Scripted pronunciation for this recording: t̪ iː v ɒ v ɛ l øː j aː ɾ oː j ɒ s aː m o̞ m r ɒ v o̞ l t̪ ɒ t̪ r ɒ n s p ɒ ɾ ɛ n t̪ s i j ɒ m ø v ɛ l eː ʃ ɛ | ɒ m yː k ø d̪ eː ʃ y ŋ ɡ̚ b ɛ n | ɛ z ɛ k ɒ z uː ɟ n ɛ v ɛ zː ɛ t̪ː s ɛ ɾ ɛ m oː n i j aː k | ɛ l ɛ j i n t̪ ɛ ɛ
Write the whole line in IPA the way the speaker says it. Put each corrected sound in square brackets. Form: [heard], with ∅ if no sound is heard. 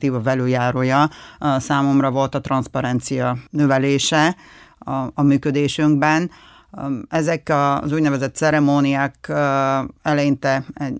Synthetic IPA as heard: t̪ iː v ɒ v ɛ l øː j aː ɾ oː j ɒ s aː m o̞ m r ɒ v o̞ l t̪ ɒ t̪ r ɒ n s p ɒ ɾ ɛ n t̪ s i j ɒ [n] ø v ɛ l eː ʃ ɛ | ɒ m yː k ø d̪ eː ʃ y ŋ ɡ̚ b ɛ n | ɛ z ɛ k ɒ z uː ɟ n ɛ v ɛ [z] ɛ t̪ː s ɛ ɾ ɛ m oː n i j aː k | ɛ l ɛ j i n t̪ ɛ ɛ